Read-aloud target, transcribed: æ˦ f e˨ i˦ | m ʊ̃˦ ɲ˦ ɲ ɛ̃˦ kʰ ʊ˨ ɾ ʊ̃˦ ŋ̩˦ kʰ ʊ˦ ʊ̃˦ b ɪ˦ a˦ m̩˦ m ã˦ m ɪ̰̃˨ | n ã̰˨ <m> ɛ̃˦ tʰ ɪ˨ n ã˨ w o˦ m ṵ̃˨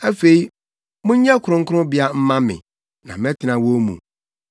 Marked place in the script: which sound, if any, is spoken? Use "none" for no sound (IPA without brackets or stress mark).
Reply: m